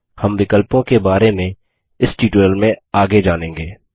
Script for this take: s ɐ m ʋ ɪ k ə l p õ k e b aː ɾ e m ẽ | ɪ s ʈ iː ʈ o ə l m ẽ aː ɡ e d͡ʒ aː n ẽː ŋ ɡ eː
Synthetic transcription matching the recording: h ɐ m ʋ ɪ k ə l p õ k e b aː ɾ e m ẽ | ɪ s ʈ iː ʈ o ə l m ẽ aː ɡ e d͡ʒ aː n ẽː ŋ ɡ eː